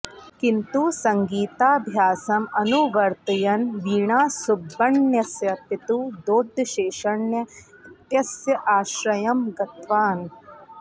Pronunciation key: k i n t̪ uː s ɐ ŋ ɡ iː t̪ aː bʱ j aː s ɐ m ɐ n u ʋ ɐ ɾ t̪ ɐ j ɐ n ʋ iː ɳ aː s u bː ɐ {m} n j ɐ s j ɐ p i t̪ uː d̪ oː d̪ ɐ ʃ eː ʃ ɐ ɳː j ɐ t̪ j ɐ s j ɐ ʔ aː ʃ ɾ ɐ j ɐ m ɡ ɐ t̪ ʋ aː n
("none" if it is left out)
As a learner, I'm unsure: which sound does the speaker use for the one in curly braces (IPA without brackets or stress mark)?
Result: ɳ